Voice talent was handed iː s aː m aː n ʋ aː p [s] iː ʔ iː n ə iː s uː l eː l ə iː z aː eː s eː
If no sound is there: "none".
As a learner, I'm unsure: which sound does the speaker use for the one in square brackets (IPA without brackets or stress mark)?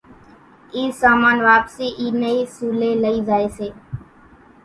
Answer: s